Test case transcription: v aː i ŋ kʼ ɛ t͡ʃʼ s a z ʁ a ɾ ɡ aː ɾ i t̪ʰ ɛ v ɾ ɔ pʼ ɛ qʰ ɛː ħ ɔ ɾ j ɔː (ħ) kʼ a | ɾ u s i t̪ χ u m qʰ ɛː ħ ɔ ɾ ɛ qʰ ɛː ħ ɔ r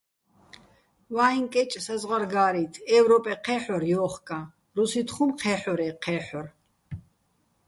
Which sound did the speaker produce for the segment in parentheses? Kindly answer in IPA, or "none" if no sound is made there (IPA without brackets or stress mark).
χ